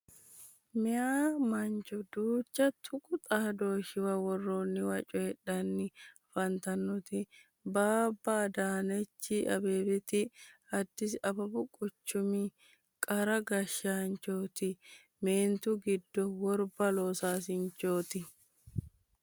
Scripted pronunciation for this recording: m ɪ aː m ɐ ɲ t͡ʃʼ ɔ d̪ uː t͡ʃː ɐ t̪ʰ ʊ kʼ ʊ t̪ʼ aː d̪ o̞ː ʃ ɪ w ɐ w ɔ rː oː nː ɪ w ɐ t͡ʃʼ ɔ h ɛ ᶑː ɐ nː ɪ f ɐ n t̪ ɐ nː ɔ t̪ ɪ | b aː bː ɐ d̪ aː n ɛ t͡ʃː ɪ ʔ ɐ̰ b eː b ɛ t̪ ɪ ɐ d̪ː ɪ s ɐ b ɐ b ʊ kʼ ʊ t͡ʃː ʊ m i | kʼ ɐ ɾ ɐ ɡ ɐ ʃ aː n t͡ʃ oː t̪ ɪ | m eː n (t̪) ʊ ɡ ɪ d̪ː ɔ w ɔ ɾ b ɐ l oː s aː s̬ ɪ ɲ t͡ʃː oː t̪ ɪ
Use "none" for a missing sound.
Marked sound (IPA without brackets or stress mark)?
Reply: t̪